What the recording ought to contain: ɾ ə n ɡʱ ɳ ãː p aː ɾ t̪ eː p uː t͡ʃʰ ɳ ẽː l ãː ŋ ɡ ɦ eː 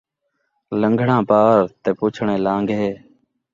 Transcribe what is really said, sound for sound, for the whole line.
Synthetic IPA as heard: l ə ŋ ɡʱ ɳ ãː p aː ɾ t̪ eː p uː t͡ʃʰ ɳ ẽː l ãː ŋ ɡ ɦ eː